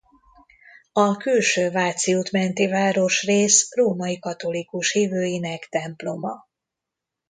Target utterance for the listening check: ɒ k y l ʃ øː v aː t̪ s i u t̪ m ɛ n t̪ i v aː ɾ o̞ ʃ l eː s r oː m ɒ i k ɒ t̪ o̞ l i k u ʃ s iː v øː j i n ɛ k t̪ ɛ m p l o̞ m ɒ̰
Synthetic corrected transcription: ɒ k y l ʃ øː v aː t̪ s i u t̪ m ɛ n t̪ i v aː ɾ o̞ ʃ r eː s r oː m ɒ i k ɒ t̪ o̞ l i k u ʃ h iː v øː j i n ɛ k t̪ ɛ m p l o̞ m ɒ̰